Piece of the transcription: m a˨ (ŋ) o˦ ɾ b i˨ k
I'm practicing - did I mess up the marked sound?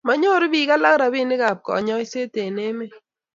yes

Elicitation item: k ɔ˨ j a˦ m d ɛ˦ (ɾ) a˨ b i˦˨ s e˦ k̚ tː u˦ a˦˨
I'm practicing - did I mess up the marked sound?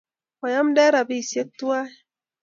no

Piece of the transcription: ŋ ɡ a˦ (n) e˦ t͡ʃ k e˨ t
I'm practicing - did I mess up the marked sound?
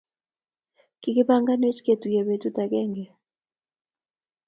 no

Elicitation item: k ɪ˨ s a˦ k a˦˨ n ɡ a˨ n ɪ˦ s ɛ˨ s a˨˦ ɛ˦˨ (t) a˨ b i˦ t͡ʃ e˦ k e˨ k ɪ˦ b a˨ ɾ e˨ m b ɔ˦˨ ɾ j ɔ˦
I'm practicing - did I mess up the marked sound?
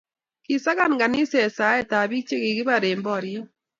no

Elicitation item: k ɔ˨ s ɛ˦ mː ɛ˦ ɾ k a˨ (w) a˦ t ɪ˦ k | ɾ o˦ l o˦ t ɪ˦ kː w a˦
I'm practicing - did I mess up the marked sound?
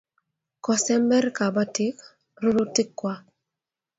yes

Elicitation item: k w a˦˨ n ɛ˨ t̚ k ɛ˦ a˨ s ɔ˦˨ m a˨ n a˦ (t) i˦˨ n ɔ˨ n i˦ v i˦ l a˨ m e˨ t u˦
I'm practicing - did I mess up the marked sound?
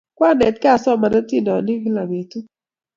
no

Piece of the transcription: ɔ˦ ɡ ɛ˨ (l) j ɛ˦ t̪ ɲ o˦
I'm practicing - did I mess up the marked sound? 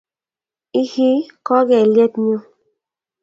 no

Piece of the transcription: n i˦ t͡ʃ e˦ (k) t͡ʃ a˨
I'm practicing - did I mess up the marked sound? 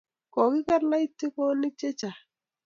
yes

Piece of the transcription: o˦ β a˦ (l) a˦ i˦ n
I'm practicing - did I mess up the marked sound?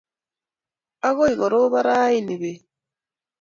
yes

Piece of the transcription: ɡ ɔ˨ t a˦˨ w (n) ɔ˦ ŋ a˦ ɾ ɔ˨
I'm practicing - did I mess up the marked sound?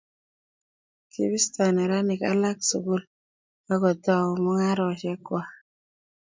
yes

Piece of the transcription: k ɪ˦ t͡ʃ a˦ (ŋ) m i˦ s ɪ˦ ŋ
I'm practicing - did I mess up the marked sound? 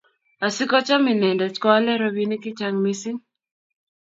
no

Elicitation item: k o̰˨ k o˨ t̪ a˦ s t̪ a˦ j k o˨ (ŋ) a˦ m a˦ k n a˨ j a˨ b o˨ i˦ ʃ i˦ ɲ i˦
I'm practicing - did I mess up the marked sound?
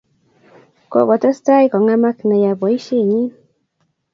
no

